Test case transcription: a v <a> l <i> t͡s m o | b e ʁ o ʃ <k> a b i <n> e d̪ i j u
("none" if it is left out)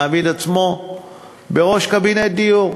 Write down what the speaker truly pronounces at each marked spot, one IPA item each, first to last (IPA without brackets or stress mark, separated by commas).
i, a, k, n